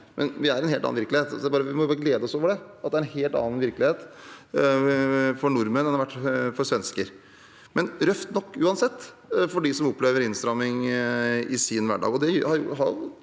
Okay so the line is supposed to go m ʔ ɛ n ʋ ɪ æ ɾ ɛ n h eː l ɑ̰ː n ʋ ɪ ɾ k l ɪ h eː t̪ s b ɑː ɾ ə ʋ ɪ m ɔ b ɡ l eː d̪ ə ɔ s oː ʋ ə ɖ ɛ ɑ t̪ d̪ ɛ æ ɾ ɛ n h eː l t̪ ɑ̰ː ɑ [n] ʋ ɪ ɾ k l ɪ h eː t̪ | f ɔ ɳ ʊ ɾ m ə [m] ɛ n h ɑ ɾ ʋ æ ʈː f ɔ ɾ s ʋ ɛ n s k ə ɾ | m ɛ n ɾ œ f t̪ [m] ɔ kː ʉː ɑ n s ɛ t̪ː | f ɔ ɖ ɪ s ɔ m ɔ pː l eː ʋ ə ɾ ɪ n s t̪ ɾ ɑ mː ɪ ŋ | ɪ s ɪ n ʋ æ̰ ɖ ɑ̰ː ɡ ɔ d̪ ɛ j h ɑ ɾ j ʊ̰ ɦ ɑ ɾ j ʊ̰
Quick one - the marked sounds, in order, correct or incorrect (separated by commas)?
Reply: correct, incorrect, incorrect